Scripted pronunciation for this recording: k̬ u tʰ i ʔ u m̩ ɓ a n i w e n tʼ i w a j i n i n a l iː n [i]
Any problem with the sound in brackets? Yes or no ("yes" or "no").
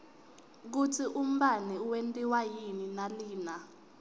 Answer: yes